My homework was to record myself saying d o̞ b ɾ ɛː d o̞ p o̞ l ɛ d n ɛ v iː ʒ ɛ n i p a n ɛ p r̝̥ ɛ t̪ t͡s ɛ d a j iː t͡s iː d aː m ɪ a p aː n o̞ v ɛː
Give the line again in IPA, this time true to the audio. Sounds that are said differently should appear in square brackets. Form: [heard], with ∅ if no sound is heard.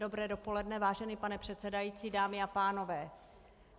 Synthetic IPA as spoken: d o̞ b ɾ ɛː d o̞ p o̞ l ɛ d n ɛ v [aː] ʒ ɛ n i p a n ɛ p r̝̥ ɛ t̪ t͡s ɛ d a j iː t͡s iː d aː m ɪ a p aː n o̞ v ɛː